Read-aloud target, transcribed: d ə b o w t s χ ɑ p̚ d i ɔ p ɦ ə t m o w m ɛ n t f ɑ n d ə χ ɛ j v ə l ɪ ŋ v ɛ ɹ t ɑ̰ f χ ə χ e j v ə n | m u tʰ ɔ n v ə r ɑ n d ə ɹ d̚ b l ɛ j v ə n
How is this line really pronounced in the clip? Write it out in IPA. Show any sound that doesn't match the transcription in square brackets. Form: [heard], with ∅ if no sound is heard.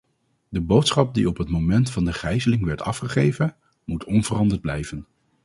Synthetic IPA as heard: d ə b o w t s χ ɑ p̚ d i ɔ p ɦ ə t m o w m ɛ n t f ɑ n d ə χ ɛ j [z] ə l ɪ ŋ [ʋ] ɛ ɹ t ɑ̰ f χ ə χ e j v ə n | m u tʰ ɔ n v ə r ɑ n d ə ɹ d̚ b l ɛ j v ə n